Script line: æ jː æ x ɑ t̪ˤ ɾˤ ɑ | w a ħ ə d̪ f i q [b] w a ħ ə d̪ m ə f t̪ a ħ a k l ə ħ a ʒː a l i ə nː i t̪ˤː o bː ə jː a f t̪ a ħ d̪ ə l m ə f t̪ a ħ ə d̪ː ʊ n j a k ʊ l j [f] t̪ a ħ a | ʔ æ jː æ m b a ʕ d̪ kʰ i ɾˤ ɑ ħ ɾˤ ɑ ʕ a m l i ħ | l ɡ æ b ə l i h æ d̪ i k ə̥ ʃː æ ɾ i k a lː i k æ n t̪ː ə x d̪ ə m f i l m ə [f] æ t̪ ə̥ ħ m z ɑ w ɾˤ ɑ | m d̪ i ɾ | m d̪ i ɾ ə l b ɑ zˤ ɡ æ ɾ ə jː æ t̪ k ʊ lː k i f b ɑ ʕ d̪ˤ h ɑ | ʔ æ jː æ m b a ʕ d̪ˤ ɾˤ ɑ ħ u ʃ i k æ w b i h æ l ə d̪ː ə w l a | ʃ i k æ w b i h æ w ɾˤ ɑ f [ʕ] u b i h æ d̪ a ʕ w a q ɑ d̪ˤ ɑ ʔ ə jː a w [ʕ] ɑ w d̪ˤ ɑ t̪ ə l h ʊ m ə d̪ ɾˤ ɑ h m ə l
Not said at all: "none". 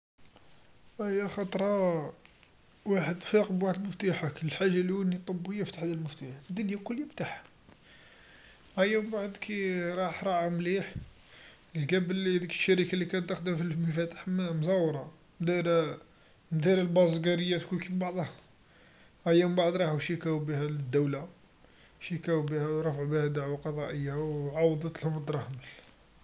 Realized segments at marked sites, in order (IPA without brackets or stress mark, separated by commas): b, f, f, ʕ, ʕ